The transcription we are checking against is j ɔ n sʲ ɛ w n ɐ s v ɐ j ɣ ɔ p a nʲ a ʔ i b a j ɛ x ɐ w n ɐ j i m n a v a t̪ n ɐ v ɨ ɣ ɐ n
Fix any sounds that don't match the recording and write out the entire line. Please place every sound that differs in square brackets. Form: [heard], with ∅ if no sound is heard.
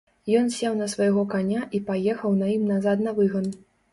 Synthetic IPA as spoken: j ɔ n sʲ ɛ w n ɐ s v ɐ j ɣ ɔ [k] a nʲ a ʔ i [p] a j ɛ x ɐ w n ɐ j i m n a [z] a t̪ n ɐ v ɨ ɣ ɐ n